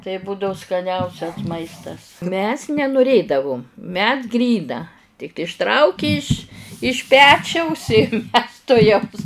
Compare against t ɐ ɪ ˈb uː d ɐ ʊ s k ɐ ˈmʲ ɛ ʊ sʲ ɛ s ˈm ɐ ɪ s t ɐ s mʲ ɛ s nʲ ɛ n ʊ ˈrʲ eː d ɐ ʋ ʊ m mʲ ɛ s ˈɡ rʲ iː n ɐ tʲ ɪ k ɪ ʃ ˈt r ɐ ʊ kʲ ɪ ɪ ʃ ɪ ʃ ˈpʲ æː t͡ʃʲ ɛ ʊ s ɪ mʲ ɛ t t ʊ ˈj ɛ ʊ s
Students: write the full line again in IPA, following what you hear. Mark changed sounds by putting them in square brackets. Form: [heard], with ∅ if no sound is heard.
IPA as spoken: t ɐ ɪ ˈb uː d ɐ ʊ s k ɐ [ˈnʲ] ɛ ʊ sʲ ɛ s ˈm ɐ ɪ s t ɐ s mʲ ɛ s nʲ ɛ n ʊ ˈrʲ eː d ɐ ʋ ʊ m mʲ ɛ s ˈɡ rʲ iː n ɐ tʲ ɪ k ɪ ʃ ˈt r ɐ ʊ kʲ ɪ ɪ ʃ ɪ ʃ ˈpʲ æː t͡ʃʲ ɛ ʊ s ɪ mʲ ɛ [s] t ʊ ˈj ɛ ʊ s